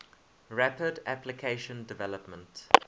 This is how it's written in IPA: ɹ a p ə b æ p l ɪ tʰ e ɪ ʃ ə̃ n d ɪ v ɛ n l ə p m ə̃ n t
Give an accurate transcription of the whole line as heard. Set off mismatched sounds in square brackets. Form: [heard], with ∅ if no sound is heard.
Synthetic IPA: ɹ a p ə [d] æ p l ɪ [kʰ] e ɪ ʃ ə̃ n d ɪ v ɛ [∅] l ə p m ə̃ n t